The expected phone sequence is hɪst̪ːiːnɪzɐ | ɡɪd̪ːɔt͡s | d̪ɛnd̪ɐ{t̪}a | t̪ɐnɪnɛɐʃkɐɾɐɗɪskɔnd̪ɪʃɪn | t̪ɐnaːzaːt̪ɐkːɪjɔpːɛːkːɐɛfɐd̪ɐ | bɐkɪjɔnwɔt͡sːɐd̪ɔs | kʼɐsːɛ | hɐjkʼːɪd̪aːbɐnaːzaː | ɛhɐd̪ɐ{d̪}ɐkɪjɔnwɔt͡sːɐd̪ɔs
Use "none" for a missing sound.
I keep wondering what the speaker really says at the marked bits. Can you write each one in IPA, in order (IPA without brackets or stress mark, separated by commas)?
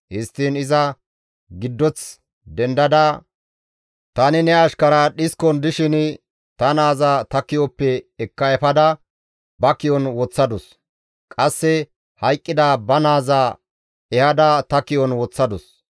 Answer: d̪, t̪